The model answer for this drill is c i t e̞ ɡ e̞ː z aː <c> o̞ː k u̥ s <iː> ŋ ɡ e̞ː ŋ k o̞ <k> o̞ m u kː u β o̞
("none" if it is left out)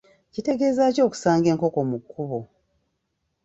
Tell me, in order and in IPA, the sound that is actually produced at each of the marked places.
c, aː, k

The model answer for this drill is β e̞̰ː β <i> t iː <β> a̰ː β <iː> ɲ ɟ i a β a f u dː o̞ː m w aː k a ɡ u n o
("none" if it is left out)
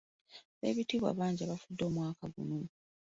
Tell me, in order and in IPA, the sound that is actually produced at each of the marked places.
i, β, aː

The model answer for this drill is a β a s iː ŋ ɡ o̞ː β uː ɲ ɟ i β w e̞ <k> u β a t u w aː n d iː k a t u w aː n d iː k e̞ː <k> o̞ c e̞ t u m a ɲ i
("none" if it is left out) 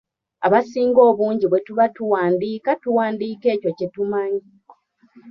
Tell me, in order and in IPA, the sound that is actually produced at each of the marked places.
t, c

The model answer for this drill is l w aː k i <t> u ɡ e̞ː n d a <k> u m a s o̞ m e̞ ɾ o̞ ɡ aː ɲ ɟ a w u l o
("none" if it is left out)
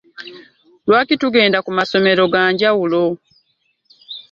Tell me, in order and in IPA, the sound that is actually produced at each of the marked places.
t, k

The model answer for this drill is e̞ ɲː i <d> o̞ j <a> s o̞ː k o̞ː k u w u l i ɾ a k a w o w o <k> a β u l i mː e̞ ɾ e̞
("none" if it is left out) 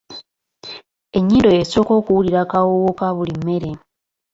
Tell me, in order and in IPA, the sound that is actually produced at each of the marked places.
d, e, k

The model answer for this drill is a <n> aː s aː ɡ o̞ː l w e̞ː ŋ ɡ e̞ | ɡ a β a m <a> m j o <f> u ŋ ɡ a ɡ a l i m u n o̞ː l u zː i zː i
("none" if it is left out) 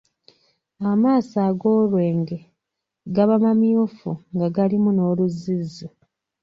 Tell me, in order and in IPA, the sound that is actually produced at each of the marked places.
m, a, f

